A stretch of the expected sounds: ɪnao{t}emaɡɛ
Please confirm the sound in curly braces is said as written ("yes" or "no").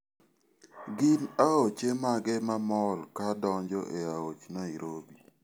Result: no